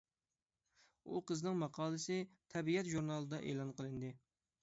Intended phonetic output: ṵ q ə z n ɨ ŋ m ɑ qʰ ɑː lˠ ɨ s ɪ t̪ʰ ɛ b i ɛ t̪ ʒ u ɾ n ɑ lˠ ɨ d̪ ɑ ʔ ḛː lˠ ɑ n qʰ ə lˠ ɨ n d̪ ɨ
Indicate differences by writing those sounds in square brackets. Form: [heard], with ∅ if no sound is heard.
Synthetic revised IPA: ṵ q ə z n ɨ ŋ m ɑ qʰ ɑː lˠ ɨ s ɪ t̪ʰ ɛ b i ɛ t̪ ʒ u ɾ n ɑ lˠ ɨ d̪ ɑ ʔ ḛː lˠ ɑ n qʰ ə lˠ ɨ n d̪ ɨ